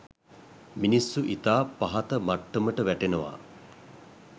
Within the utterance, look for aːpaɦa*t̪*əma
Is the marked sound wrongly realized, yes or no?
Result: no